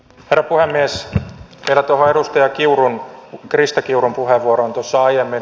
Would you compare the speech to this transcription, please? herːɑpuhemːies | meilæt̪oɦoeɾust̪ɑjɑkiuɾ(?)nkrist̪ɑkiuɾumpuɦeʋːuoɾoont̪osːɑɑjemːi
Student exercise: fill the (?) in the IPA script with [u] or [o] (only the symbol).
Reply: u